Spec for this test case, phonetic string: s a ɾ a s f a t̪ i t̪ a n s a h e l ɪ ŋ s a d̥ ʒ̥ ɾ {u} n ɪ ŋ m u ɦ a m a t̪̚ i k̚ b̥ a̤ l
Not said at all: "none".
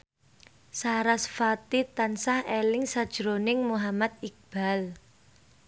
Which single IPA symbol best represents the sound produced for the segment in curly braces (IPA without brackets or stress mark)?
o